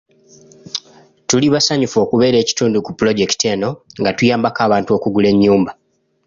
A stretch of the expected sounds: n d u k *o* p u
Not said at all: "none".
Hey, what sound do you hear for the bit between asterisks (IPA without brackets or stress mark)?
u